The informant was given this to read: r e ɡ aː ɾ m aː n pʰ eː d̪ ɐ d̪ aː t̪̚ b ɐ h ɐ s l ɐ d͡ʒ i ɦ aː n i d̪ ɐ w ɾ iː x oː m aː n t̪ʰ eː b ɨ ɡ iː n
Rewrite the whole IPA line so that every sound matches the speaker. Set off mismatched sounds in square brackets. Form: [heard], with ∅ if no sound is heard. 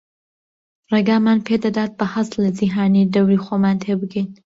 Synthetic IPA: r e ɡ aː [∅] m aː n pʰ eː d̪ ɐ d̪ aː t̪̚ b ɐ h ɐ s l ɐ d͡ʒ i ɦ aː n i d̪ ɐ w ɾ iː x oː m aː n t̪ʰ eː b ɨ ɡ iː n